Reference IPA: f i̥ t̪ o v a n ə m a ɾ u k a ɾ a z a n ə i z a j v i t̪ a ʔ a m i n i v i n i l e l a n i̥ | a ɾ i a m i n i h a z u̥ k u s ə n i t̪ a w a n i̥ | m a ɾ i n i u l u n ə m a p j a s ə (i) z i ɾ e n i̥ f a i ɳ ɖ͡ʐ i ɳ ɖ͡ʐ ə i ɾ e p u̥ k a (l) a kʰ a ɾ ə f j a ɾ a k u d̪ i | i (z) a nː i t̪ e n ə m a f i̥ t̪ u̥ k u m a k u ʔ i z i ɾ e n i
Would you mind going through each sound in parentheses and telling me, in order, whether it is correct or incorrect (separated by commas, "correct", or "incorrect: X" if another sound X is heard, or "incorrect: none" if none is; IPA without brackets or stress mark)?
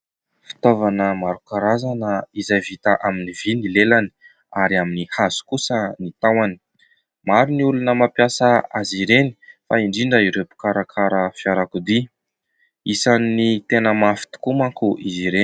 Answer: incorrect: a, incorrect: ɾ, incorrect: s